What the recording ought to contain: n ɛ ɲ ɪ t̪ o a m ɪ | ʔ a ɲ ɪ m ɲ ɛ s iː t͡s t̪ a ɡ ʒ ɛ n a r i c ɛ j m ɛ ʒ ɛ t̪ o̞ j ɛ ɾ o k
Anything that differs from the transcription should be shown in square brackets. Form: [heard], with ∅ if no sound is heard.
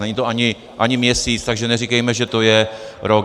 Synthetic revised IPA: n ɛ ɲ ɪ t̪ o a [ɲ] ɪ | ʔ a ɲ ɪ m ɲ ɛ s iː t͡s t̪ a ɡ ʒ ɛ n [ɛ] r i [k] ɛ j m ɛ ʒ ɛ t̪ o̞ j ɛ ɾ o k